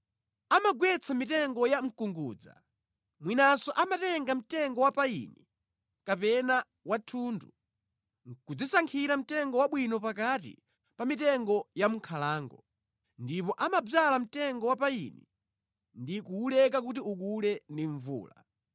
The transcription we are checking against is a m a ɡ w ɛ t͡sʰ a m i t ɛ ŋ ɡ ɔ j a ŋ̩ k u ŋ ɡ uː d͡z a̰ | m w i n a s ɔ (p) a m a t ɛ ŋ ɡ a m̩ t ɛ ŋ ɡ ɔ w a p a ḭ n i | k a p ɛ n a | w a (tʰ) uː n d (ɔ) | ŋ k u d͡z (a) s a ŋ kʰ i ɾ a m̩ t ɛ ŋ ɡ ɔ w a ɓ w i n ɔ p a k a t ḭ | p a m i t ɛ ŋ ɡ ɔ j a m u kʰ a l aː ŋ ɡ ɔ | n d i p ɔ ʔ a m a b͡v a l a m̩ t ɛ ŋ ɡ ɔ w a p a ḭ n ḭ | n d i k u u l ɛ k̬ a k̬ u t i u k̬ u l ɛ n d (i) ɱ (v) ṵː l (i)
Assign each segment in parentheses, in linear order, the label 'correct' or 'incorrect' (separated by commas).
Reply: incorrect, correct, incorrect, incorrect, correct, correct, incorrect